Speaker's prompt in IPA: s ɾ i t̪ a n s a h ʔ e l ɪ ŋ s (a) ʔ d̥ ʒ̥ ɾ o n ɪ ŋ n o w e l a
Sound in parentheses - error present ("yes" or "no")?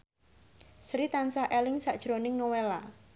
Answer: no